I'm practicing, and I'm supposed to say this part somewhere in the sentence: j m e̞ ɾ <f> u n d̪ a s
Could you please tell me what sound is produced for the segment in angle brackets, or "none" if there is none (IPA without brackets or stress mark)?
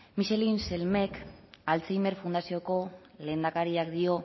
f